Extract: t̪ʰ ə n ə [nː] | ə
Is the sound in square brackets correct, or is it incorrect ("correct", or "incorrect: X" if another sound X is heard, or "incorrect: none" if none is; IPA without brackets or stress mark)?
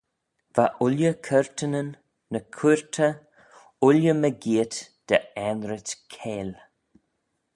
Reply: correct